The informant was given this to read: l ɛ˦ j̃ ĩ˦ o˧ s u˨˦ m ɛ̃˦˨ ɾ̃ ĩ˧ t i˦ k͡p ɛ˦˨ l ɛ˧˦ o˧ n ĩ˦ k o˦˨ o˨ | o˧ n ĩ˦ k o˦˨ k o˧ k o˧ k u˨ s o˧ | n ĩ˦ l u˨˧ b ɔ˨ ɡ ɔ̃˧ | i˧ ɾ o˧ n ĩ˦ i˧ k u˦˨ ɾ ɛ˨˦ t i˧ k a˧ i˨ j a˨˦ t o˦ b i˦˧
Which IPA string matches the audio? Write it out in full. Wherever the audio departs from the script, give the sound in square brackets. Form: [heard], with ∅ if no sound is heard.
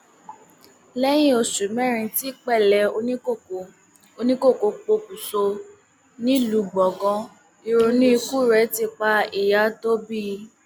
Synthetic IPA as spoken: l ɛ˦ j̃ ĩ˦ o˧ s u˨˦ m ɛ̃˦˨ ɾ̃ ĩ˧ t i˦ k͡p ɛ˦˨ l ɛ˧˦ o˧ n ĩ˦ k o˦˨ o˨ | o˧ n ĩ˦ k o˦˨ k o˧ [k͡p] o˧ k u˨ s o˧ | n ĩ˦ l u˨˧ [ɡ͡b] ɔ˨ ɡ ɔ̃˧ | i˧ ɾ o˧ n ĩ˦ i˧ k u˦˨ ɾ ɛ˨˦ t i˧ [k͡p] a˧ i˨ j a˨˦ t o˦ b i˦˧